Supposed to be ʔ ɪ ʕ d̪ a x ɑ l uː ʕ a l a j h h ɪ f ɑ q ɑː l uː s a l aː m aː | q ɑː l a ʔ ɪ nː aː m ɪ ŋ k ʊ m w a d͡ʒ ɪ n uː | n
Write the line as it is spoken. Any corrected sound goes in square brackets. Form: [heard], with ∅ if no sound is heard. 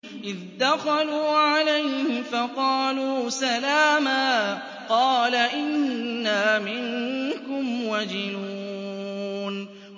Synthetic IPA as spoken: ʔ ɪ [ð] d̪ a x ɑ l uː ʕ a l a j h h ɪ f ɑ q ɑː l uː s a l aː m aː | q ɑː l a ʔ ɪ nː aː m ɪ ŋ k ʊ m w a d͡ʒ ɪ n uː | n

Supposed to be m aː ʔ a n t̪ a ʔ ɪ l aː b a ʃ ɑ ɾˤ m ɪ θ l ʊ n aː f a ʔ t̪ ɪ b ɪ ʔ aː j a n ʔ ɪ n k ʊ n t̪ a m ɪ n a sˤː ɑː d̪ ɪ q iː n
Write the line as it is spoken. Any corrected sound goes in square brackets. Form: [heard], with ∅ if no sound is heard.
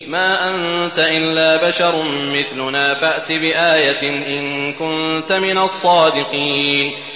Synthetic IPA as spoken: m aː ʔ a n t̪ a ʔ ɪ [lː] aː b a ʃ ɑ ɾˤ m ɪ θ l ʊ n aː f a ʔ t̪ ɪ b ɪ ʔ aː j a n ʔ ɪ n k ʊ n t̪ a m ɪ n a sˤː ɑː d̪ ɪ q iː n

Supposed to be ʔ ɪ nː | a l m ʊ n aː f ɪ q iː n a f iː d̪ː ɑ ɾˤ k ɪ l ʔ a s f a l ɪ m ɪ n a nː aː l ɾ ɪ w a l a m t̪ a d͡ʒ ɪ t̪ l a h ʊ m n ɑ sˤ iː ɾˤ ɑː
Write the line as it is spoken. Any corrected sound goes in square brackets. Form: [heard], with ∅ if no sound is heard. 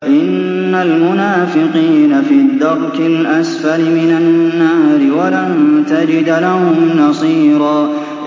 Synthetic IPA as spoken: ʔ ɪ nː | a l m ʊ n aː f ɪ q iː n a f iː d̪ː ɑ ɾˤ k ɪ l ʔ a s f a l ɪ m ɪ n a nː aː [∅] ɾ ɪ w a l a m t̪ a d͡ʒ ɪ [d̪] l a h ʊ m n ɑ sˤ iː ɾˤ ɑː

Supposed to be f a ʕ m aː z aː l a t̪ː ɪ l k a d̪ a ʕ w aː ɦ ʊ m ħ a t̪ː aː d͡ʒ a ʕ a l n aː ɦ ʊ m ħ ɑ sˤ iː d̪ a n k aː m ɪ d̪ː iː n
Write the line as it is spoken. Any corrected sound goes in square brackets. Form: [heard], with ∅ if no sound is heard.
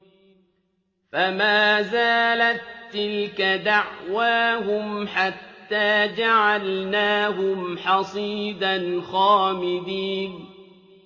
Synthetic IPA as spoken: f a [∅] m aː z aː l a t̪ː ɪ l k a d̪ a ʕ w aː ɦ ʊ m ħ a t̪ː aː d͡ʒ a ʕ a l n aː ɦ ʊ m ħ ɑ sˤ iː d̪ a n [x] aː m ɪ [d̪] iː n

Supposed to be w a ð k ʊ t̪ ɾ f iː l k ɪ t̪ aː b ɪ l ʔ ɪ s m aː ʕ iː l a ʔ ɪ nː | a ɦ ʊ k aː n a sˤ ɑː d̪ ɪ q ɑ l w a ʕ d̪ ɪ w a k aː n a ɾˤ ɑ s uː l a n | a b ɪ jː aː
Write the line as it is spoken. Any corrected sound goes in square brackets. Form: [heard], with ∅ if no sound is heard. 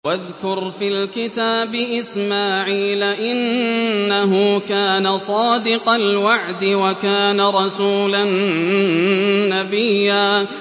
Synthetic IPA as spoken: w a ð k ʊ [∅] ɾ f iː l k ɪ t̪ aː b ɪ [∅] ʔ ɪ s m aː ʕ iː l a ʔ ɪ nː | a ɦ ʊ k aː n a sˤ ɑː d̪ ɪ q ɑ l w a ʕ d̪ ɪ w a k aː n a ɾˤ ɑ s uː l a n | a b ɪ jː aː

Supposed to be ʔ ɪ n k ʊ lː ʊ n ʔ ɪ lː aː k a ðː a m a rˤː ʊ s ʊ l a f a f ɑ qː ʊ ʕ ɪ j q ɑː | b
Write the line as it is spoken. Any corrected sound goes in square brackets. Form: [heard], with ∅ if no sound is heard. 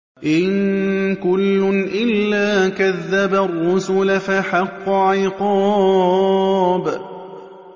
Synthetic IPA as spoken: ʔ ɪ n k ʊ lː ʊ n ʔ ɪ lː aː k a ðː a [b] a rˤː ʊ s ʊ l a f a [ħ] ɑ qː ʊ ʕ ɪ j q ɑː | b

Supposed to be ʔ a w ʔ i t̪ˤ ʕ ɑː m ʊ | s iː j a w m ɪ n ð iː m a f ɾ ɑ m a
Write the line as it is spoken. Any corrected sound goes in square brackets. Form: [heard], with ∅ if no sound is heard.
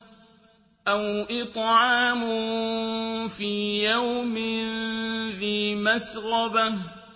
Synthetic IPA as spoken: ʔ a w ʔ [ɪ] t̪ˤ ʕ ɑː m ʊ | [f] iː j a w m ɪ n ð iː m a [s] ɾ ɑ [b] a

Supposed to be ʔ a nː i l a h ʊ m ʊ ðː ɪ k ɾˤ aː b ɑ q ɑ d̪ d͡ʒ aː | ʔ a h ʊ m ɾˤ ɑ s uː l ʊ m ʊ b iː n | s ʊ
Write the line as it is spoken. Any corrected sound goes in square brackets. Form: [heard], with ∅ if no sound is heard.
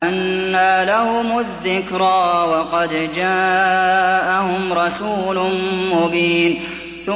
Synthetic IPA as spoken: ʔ a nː [a] l a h ʊ m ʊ ðː ɪ k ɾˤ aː [w] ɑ q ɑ d̪ d͡ʒ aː | ʔ a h ʊ m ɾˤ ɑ s uː l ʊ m ʊ b iː n | [θ] ʊ

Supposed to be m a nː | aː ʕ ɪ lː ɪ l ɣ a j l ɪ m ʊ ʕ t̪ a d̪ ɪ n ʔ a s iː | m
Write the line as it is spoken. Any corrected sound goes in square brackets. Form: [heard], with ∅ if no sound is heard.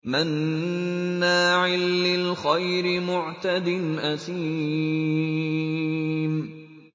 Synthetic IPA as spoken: m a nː | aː ʕ ɪ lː ɪ l [x] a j [ɾ] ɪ m ʊ ʕ t̪ a d̪ ɪ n ʔ a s iː | m

